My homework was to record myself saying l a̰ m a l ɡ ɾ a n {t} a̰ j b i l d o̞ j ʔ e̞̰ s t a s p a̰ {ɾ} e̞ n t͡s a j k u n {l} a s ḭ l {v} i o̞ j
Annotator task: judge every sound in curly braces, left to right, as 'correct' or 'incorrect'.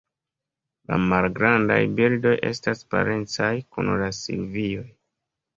incorrect, correct, correct, correct

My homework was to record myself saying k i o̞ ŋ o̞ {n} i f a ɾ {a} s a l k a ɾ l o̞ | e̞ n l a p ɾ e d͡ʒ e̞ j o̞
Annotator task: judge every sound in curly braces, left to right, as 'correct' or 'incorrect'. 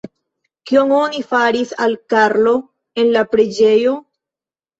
correct, incorrect

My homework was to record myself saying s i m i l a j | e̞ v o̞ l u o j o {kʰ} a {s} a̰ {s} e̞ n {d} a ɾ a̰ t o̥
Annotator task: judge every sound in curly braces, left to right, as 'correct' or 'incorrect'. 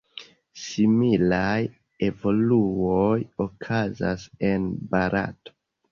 correct, incorrect, correct, incorrect

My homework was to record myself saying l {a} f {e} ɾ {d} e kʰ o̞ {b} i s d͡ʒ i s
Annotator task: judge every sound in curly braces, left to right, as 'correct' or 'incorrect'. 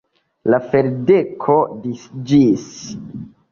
correct, correct, correct, incorrect

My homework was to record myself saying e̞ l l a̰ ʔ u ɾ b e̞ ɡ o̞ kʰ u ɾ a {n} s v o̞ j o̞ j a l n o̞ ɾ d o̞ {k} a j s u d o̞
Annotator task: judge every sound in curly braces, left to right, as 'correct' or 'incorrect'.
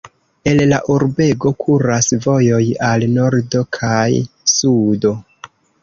incorrect, incorrect

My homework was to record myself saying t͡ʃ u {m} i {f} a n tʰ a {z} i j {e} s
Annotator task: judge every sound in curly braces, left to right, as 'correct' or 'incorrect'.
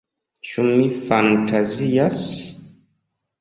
correct, correct, correct, incorrect

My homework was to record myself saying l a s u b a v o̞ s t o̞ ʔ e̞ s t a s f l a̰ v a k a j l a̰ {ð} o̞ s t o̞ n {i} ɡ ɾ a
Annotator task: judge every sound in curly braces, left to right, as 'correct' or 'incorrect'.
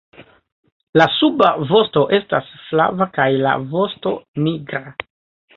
incorrect, correct

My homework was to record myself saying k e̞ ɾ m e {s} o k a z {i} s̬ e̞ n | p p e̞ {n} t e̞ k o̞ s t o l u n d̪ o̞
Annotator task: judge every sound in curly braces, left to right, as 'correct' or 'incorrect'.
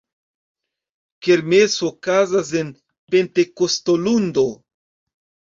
correct, incorrect, correct

